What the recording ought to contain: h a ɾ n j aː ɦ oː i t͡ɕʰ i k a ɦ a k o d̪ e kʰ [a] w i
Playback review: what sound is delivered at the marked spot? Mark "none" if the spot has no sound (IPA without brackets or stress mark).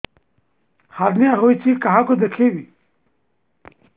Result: e